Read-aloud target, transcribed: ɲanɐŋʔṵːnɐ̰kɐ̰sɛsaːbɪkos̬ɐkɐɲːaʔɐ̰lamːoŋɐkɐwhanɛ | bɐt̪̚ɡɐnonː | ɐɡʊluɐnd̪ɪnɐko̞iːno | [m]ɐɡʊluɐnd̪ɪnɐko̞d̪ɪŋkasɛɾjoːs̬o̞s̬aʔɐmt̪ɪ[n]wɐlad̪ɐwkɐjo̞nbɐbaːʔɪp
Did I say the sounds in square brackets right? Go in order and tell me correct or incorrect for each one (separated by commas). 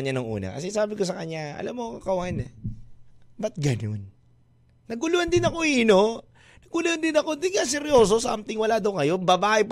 incorrect, incorrect